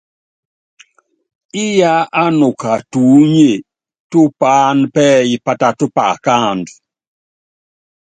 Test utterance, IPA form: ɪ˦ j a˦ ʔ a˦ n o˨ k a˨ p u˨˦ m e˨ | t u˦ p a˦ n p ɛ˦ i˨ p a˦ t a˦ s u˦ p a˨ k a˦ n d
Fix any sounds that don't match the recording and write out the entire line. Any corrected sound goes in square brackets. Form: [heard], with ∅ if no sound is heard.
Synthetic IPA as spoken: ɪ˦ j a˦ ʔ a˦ n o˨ k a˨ [t] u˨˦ [ɲ] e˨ | t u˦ p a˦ n p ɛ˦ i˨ p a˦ t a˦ [t] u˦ p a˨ k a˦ n d